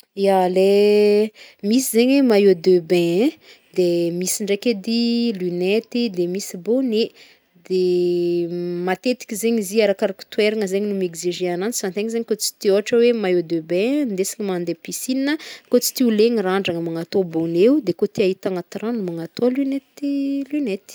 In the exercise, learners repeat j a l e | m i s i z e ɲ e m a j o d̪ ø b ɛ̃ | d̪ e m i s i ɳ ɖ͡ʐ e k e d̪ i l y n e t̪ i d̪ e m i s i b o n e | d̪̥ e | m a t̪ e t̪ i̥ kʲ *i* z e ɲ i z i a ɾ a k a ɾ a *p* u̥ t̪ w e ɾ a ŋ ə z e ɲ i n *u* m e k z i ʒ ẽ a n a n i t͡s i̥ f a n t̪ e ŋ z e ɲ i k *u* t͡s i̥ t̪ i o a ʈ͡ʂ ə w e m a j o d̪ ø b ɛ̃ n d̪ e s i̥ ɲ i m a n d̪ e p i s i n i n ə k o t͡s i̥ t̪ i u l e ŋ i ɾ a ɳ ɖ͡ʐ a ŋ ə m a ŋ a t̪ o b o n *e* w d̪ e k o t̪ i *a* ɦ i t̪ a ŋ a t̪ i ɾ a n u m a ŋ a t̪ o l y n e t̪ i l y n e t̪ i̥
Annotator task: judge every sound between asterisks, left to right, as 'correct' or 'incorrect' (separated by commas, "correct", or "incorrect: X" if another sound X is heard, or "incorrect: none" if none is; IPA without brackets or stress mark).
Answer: correct, incorrect: k, correct, incorrect: o, correct, correct